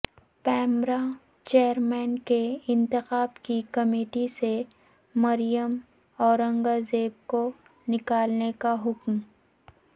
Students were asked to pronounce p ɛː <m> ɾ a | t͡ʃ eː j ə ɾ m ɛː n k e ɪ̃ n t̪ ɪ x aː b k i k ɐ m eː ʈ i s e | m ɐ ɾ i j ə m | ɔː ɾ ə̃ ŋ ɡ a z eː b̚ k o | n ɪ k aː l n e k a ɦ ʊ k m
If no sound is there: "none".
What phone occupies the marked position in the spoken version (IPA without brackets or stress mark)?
m